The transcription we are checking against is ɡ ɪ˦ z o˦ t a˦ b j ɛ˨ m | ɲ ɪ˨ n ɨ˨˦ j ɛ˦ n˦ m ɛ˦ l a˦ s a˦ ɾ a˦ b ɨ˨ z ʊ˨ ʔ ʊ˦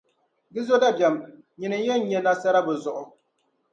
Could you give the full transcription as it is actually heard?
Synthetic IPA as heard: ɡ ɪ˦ z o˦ d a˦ b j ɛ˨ m | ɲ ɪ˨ n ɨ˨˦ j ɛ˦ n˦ ɲ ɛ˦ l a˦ s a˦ ɾ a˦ b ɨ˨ z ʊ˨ ʔ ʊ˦